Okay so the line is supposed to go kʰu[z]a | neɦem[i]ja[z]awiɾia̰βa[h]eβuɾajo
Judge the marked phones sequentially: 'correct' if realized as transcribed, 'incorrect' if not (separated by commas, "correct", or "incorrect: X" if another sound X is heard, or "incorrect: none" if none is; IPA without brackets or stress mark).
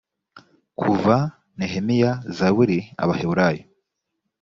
incorrect: v, correct, correct, correct